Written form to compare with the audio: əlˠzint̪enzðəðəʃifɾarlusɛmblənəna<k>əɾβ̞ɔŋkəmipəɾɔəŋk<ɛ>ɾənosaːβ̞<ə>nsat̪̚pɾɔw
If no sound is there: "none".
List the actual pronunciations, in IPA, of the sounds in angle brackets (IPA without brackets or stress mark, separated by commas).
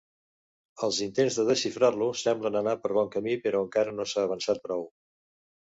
p, a, ə